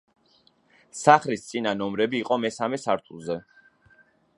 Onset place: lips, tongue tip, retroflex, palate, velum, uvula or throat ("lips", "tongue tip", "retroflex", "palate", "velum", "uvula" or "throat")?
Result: tongue tip